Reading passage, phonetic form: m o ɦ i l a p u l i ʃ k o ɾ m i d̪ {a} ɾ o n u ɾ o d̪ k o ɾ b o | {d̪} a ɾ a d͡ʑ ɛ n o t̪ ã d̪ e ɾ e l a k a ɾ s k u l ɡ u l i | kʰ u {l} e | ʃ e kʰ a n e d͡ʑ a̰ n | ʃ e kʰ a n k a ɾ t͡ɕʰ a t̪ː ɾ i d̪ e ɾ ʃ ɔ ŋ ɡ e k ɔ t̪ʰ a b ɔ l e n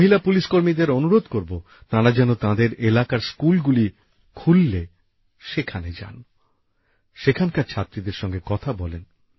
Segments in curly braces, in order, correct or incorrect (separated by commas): incorrect, incorrect, incorrect